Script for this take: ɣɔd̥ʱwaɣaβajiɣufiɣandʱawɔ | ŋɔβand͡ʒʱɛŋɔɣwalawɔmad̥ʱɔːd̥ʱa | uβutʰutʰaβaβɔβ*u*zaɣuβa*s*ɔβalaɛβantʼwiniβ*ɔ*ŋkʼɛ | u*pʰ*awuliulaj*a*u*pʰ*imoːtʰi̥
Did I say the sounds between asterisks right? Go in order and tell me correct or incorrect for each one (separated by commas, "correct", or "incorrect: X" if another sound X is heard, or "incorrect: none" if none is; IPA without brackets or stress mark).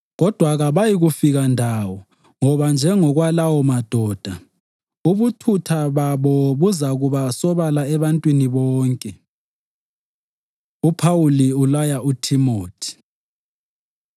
correct, correct, incorrect: ɔː, correct, correct, incorrect: tʰ